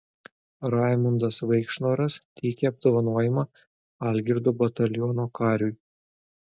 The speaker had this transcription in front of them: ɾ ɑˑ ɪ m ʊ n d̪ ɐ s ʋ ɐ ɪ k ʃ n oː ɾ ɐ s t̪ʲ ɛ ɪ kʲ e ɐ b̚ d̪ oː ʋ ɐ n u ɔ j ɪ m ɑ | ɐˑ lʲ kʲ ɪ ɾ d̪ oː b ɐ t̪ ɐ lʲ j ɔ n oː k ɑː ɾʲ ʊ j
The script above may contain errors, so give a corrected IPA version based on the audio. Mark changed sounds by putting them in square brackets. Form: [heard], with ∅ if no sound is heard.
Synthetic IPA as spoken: ɾ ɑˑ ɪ m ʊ n d̪ ɐ s ʋ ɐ ɪ k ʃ n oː ɾ ɐ s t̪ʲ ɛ ɪ kʲ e ɐ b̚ d̪ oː ʋ ɐ n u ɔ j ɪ m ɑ | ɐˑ lʲ [ɡʲ] ɪ ɾ d̪ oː b ɐ t̪ ɐ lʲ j ɔ n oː k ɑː ɾʲ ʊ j